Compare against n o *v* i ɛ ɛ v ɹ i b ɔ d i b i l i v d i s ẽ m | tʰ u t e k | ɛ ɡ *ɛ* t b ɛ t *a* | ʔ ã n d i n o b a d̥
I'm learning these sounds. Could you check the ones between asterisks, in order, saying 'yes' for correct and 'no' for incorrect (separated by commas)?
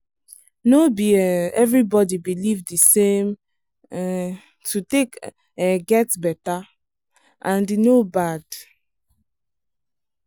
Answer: no, yes, yes